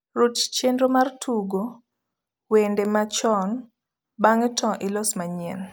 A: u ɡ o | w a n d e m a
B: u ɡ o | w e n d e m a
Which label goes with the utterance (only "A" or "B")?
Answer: B